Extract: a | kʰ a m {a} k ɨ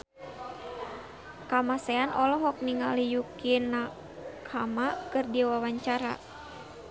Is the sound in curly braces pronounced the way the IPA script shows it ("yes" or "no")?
yes